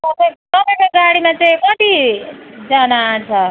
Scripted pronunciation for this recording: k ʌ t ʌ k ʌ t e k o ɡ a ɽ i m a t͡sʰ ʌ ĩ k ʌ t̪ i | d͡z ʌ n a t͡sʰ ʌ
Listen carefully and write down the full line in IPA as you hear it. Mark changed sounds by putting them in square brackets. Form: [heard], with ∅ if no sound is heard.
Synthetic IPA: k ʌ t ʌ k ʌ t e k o ɡ a ɽ i m a [t͡s] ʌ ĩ k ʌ t̪ i | d͡z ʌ n a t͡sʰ ʌ